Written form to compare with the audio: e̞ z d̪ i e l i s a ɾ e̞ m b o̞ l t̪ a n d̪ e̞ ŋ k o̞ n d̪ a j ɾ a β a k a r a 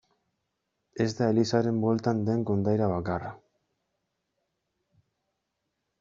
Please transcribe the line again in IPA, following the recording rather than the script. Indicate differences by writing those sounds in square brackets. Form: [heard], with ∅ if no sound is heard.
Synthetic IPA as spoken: e̞ z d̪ [a] e l i s a ɾ e̞ m b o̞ l t̪ a n d̪ e̞ ŋ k o̞ n d̪ a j ɾ a β a k a r a